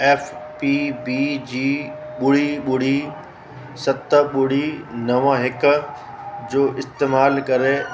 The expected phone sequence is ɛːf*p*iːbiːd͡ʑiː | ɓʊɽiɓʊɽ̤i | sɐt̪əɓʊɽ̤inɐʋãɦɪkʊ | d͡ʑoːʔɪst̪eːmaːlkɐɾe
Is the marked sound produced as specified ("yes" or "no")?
yes